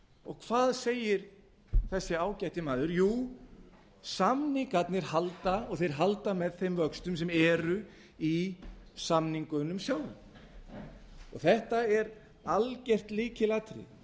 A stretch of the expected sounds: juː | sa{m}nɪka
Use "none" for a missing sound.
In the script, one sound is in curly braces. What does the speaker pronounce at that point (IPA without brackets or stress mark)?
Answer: m